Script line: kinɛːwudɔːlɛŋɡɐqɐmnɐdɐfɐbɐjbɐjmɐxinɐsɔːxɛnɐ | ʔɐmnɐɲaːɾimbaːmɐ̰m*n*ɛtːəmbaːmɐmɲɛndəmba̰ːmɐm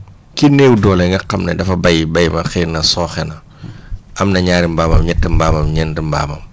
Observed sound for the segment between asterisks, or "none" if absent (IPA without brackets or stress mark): ɲ